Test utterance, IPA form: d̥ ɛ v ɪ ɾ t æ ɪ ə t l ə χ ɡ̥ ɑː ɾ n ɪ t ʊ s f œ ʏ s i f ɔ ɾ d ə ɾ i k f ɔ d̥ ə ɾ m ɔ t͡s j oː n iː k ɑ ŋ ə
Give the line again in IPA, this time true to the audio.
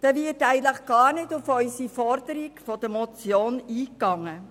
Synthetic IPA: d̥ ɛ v ɪ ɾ t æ ɪ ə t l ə χ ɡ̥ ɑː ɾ n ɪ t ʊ f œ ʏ s i f ɔ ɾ d ə ɾ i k f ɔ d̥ ə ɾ m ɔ t͡s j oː n iː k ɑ ŋ ə